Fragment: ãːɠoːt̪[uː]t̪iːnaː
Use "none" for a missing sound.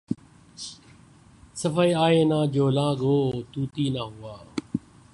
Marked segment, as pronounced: uː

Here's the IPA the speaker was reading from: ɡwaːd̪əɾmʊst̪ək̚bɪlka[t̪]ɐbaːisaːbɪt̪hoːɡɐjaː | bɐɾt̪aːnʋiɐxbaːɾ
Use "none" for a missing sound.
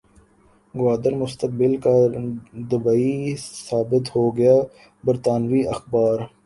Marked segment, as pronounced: d̪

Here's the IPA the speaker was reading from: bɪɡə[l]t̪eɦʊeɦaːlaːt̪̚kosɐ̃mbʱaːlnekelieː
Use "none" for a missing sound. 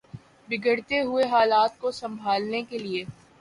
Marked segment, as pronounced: ɽ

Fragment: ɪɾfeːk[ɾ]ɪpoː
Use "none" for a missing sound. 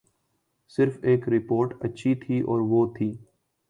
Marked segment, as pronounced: ɾ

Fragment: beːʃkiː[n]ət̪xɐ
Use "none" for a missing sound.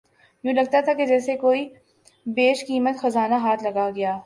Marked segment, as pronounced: m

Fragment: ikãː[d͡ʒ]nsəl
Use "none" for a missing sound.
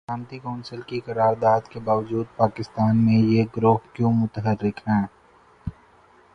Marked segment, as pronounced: none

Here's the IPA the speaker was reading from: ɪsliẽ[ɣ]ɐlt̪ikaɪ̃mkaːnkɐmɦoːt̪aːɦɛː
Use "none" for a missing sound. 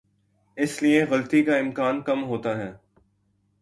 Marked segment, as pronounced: ɣ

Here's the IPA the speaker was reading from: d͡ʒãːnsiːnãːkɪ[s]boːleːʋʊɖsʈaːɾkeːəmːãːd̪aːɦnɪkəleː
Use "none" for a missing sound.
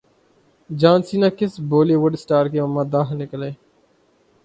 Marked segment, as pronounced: s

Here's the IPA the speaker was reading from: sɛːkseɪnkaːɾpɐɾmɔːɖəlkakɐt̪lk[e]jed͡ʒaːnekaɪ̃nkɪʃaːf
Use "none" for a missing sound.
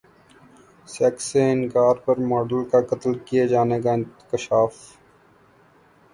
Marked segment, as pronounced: i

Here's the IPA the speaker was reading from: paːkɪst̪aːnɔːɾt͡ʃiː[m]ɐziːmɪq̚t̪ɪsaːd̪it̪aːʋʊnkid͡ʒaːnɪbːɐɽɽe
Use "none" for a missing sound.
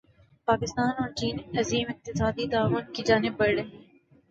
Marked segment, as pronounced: n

